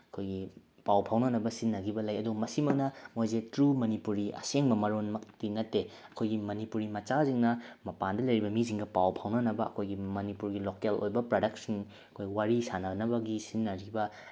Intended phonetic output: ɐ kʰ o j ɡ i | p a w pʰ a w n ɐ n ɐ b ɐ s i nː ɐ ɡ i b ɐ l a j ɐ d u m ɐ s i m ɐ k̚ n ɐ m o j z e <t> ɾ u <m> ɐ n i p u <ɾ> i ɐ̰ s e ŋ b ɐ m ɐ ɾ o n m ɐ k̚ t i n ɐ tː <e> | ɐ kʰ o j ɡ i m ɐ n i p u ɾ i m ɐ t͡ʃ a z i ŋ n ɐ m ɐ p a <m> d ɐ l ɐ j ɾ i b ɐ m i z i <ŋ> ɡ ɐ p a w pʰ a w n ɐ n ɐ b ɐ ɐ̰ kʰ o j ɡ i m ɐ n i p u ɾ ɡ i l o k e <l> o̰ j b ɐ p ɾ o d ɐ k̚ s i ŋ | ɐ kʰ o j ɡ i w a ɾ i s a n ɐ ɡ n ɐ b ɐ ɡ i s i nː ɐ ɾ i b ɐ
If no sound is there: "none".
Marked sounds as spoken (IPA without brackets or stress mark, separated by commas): t, m, ɾ, e, n, ŋ, l